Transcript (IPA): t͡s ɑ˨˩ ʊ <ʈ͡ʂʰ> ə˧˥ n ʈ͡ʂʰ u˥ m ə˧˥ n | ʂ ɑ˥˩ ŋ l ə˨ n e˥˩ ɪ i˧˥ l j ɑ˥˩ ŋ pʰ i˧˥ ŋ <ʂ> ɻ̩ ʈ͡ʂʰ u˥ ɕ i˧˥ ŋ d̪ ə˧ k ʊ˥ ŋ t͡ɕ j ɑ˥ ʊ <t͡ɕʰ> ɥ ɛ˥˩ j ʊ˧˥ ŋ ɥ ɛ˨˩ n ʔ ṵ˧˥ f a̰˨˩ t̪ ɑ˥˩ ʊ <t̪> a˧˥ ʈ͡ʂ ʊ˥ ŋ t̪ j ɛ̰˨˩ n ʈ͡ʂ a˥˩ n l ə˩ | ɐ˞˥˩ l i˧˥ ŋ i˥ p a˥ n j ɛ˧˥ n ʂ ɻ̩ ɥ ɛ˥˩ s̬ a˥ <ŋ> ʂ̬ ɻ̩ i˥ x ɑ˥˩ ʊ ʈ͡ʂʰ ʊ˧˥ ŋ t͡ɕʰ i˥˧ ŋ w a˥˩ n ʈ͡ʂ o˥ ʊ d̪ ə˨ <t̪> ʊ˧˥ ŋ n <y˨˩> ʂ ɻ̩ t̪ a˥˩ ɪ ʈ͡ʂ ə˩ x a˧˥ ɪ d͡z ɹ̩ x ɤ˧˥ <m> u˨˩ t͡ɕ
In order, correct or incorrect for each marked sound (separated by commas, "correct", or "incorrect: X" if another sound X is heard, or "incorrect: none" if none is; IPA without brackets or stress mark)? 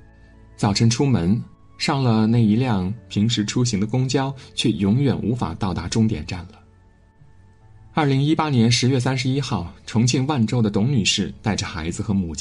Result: correct, correct, correct, correct, incorrect: n, correct, correct, correct